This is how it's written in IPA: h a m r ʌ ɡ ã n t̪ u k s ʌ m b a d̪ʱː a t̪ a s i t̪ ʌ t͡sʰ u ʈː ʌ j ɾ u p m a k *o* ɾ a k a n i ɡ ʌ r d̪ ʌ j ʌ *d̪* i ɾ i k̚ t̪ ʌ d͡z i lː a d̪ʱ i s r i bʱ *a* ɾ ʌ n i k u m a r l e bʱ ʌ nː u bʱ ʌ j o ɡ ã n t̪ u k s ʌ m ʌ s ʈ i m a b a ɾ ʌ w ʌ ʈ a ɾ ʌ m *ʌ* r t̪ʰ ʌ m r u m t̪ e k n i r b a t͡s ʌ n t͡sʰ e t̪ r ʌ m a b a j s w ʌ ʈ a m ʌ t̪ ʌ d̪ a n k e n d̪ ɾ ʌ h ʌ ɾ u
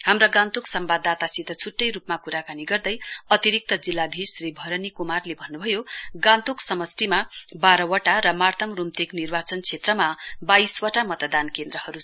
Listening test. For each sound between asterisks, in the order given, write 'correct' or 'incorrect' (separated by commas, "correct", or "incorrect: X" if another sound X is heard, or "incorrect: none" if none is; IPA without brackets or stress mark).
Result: incorrect: u, incorrect: t̪, incorrect: ʌ, incorrect: a